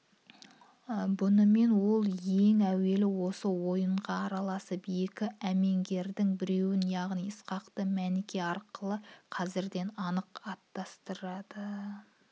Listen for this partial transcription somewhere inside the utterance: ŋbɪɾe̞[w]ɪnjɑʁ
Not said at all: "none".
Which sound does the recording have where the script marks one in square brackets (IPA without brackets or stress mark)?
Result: w